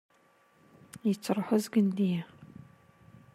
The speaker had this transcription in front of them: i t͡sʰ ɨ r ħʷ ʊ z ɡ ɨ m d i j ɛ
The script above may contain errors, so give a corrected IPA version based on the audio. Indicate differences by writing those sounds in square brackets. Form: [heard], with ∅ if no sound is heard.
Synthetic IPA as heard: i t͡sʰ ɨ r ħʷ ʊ z ɡ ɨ [n] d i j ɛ